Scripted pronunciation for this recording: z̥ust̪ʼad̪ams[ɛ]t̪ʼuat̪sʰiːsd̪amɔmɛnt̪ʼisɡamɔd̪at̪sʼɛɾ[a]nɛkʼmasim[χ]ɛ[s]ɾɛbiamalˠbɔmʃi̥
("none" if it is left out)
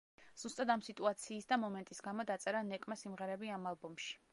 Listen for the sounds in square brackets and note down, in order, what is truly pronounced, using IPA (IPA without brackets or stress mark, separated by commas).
i, a, ʁ, none